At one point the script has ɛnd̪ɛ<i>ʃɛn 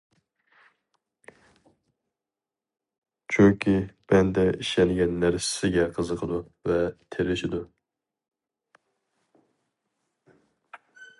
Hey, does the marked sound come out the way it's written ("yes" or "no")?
yes